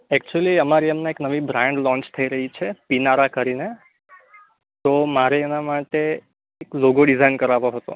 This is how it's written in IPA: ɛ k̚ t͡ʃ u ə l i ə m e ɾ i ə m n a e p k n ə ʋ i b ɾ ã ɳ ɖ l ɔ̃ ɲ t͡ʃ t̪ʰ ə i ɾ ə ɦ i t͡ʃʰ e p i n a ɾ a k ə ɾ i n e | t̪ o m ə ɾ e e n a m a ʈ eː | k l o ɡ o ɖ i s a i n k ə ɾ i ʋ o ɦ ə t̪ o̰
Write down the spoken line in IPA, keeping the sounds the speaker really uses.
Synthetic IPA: ɛ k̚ t͡ʃ u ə l i ə m a ɾ i ə m n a e k n ə ʋ i b ɾ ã ɳ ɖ l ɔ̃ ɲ t͡ʃ t̪ʰ ə i ɾ ə ɦ i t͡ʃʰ e p i n a ɾ a k ə ɾ i n e | t̪ o m a ɾ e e n a m a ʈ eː | k l o ɡ o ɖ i z a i n k ə ɾ a ʋ o ɦ ə t̪ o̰